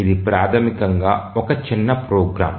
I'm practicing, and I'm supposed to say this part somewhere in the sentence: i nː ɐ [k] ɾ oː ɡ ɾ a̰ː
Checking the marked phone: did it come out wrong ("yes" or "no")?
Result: yes